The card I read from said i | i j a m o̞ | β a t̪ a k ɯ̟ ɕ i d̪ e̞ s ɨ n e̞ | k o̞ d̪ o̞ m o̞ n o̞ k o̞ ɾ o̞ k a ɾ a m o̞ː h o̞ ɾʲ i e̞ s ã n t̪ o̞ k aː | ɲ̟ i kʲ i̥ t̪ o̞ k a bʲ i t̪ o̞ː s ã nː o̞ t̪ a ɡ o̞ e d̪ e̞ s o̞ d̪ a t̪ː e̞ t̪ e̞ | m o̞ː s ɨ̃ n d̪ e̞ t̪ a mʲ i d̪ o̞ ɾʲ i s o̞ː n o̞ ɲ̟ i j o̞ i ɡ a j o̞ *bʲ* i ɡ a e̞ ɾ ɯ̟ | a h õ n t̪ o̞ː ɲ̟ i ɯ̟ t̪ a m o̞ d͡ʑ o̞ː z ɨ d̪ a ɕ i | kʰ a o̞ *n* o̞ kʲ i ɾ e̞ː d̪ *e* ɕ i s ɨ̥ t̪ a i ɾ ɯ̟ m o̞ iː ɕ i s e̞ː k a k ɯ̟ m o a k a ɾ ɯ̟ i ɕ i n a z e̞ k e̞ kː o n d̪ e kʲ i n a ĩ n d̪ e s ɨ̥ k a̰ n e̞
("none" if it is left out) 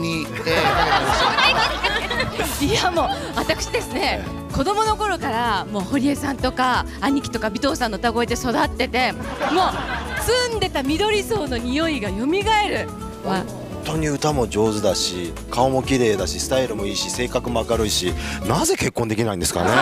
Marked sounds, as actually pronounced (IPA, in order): mʲ, m, a

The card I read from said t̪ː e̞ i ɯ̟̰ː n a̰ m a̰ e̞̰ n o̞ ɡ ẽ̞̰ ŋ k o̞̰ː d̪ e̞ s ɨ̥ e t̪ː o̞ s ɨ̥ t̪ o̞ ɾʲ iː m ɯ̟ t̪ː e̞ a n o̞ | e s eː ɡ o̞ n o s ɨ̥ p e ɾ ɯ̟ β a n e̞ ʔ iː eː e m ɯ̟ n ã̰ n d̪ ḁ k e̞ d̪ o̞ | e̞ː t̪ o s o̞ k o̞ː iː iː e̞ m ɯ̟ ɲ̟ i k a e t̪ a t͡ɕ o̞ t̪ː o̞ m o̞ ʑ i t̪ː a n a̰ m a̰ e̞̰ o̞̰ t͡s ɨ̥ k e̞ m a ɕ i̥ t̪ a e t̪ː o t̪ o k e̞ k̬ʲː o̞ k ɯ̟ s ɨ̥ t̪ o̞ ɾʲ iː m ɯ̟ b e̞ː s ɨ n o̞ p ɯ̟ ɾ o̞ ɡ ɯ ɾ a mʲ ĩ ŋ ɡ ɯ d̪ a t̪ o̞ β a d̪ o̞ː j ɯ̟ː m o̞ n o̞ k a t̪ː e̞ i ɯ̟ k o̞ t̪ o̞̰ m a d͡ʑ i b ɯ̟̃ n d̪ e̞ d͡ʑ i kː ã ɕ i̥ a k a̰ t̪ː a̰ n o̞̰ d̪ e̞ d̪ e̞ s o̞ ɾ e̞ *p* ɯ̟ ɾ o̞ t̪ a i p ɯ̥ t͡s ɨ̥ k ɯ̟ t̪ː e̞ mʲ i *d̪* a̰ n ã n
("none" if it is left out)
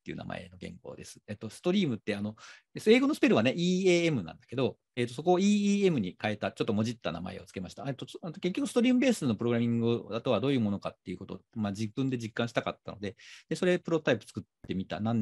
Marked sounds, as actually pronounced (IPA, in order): p, t̪

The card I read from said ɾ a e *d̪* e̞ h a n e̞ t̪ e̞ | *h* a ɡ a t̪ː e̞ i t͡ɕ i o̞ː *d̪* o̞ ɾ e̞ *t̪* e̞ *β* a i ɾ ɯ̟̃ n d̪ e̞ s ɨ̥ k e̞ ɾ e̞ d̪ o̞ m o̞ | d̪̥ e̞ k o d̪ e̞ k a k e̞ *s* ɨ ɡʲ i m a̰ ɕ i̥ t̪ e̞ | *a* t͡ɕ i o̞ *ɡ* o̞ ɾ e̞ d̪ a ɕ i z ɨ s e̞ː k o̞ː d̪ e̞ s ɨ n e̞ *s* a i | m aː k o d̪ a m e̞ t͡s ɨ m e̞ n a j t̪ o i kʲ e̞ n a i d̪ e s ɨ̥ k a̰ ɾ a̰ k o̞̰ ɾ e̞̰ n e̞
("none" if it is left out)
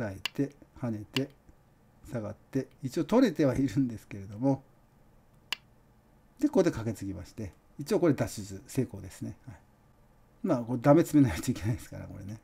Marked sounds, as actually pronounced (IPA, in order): t̪, s, t̪, t̪, β, t͡s, i, k, h

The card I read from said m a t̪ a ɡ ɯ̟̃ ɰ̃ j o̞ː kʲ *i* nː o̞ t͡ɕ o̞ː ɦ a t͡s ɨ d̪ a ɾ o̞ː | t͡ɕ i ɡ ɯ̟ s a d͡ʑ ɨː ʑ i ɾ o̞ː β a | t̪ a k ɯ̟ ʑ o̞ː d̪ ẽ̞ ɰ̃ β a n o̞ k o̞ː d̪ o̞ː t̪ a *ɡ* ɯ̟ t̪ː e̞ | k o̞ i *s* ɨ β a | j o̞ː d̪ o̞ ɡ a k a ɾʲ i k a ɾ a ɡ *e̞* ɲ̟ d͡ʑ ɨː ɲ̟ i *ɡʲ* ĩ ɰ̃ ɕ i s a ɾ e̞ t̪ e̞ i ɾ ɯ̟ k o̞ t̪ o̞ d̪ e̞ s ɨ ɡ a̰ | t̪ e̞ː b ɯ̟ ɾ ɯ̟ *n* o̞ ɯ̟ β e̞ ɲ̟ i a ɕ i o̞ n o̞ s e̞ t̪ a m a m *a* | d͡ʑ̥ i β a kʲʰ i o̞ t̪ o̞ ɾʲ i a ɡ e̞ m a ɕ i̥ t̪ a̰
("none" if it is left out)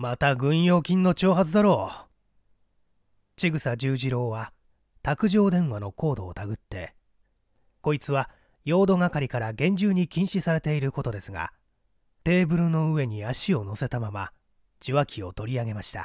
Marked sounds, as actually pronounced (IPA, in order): ĩ, ɡ, t͡s, ẽ̞, kʲ, n, a

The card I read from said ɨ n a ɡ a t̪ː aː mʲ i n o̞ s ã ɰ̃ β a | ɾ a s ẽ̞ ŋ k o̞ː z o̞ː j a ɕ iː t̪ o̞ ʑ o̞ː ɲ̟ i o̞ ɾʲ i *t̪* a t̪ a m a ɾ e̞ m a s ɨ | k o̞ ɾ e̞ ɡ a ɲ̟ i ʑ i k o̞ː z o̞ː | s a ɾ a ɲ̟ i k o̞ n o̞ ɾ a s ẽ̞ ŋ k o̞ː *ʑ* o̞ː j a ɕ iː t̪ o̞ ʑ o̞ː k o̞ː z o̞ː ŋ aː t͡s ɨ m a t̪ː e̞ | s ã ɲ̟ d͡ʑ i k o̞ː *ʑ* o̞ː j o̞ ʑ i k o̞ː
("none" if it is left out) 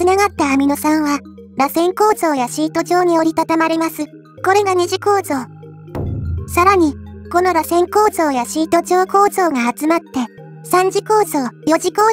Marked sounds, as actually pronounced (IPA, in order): t̪, z, z

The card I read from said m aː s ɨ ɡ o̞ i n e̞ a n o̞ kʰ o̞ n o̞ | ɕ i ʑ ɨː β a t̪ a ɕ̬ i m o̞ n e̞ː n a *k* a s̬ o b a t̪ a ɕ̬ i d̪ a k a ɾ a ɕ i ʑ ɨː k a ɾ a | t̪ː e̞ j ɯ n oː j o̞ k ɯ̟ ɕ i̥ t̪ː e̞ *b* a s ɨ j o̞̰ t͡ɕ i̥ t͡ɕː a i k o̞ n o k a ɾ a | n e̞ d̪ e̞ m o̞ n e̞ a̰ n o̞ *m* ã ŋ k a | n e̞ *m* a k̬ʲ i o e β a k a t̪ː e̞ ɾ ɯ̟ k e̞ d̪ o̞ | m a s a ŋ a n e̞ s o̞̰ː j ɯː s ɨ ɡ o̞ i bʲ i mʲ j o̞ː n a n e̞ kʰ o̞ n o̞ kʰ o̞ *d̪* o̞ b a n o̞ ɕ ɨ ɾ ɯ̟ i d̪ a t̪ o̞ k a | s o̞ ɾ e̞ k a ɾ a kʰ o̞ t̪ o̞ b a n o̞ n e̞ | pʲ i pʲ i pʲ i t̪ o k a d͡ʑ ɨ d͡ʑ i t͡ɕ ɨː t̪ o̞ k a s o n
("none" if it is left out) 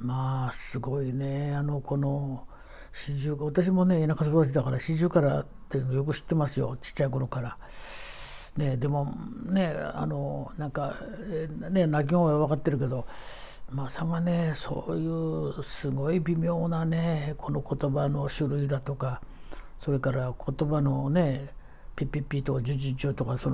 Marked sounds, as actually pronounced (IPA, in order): k, m, n, n, t̪

